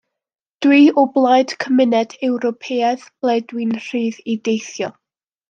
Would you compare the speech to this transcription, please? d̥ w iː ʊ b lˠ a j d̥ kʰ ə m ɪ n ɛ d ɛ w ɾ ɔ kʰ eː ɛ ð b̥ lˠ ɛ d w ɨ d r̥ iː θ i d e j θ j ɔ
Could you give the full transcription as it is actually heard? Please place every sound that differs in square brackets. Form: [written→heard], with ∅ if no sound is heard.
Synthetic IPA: d̥ w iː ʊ b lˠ a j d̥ kʰ ə m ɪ n ɛ d ɛ w ɾ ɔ [kʰ→pʰ] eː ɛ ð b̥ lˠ ɛ d w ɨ [d→n] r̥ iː [θ→ð] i d e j θ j ɔ